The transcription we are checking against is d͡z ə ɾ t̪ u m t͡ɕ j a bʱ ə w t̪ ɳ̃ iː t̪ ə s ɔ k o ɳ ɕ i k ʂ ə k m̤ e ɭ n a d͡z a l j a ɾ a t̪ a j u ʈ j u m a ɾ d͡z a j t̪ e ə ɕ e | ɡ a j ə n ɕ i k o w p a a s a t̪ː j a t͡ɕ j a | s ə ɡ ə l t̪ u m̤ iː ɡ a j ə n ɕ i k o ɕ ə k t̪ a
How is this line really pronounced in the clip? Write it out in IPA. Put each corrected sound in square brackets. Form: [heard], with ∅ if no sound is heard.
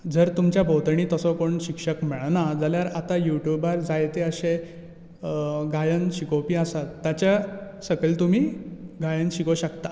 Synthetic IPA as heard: d͡z ə ɾ t̪ u m t͡ɕ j a bʱ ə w t̪ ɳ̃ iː t̪ ə s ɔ k o ɳ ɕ i k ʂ ə k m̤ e ɭ n a d͡z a l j a ɾ a t̪ a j u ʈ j u [b] a ɾ d͡z a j t̪ e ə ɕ e | ɡ a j ə n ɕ i k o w p [i] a s a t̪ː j a t͡ɕ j a | s ə ɡ ə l t̪ u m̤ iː ɡ a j ə n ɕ i k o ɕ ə k t̪ a

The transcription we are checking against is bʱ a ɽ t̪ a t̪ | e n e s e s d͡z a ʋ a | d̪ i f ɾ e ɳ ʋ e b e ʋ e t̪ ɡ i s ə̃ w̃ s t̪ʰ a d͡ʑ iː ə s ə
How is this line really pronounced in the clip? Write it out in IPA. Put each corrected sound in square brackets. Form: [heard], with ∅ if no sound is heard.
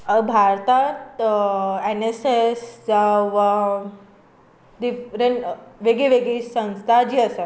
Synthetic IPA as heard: bʱ a [ɾ] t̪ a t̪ | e n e s e s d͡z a ʋ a | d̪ i f ɾ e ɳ ʋ e [ɡ] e ʋ e [∅] ɡ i s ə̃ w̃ s t̪ʰ a d͡ʑ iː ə s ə

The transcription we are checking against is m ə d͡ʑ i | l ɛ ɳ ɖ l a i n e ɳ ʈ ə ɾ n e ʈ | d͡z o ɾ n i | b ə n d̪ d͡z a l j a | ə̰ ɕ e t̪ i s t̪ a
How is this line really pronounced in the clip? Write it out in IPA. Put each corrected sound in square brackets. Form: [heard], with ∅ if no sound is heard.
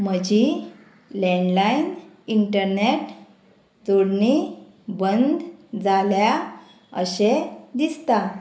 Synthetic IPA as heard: m ə d͡ʑ i | l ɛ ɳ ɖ l a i n [i] ɳ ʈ ə ɾ n e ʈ | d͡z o [ɽ] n i | b ə n d̪ d͡z a l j a | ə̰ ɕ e [d̪] i s t̪ a

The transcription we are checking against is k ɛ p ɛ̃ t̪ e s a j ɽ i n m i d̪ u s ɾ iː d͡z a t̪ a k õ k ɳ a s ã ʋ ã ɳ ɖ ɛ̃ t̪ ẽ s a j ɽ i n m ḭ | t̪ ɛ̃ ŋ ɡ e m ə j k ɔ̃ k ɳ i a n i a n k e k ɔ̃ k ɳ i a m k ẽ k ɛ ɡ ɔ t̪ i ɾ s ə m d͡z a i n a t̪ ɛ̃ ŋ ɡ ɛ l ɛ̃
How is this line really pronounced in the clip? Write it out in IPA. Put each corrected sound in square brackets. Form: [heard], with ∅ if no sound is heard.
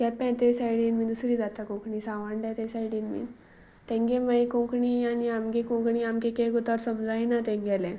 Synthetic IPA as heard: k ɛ p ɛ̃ t̪ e s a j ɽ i n m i d̪ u s ɾ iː d͡z a t̪ a k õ k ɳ [i] s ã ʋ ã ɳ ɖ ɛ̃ t̪ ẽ s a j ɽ i n m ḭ | t̪ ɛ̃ ŋ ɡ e m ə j k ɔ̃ k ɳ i a n i a [m] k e k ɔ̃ k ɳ i a m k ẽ k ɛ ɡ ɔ t̪ [a] ɾ s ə m d͡z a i n a t̪ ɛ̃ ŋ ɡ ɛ l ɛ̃

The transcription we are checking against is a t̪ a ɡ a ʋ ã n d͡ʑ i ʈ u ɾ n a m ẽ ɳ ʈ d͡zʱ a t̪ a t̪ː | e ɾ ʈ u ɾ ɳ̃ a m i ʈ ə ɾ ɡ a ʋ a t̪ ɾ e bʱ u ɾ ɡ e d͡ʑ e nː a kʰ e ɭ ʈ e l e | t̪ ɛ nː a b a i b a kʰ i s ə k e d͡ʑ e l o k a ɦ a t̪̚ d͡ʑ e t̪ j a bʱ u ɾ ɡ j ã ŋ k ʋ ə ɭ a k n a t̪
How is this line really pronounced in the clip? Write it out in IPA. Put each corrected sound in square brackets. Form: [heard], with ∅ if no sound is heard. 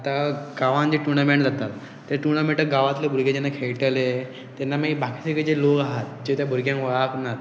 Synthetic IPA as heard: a t̪ a ɡ a ʋ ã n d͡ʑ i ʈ u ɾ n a m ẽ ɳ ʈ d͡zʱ a t̪ a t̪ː | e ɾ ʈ u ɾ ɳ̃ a m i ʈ ə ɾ ɡ a ʋ a t̪ [l] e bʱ u ɾ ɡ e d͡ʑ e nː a kʰ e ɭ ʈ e l e | t̪ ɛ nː a [m] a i b a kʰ i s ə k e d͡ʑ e l o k a ɦ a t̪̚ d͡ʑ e t̪ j a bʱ u ɾ ɡ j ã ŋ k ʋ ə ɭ a k n a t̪

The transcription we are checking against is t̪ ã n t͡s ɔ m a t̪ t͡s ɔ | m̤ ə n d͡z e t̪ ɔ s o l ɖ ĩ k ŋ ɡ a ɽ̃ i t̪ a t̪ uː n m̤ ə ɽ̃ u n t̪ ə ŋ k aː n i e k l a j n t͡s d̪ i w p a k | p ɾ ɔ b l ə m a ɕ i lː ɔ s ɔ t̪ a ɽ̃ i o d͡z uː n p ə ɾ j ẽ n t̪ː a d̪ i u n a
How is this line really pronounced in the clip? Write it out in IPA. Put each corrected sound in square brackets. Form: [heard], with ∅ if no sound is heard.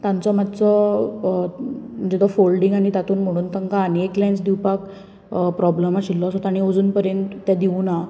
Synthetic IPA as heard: t̪ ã n t͡s ɔ m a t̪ t͡s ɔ | m̤ ə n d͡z e t̪ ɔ [f] o l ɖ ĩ [∅] ŋ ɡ a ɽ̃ i t̪ a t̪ uː n m̤ ə ɽ̃ [uː] n t̪ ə ŋ k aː n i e k l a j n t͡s d̪ i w p a k | p ɾ ɔ b l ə m a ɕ i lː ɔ s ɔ t̪ a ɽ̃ i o d͡z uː n p ə ɾ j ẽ n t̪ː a d̪ i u n a

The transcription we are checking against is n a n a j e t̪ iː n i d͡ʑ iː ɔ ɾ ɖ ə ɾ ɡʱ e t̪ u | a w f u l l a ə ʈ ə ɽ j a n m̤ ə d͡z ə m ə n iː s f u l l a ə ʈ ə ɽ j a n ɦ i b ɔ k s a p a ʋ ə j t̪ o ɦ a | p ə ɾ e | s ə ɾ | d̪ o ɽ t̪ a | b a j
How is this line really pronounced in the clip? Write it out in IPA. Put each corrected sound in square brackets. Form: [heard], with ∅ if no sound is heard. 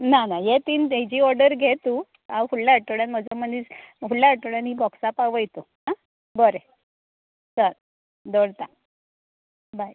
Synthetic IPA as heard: n a n a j e t̪ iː n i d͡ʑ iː ɔ ɾ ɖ ə ɾ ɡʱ e t̪ u | a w f u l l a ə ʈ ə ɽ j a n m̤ ə d͡z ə m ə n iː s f u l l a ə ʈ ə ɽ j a n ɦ i b ɔ k s a p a ʋ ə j t̪ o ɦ a | [b] ə ɾ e | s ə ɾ | d̪ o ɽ t̪ a | b a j

